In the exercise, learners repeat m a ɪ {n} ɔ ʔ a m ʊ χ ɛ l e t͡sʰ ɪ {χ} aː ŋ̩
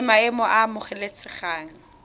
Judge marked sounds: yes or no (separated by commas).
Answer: no, yes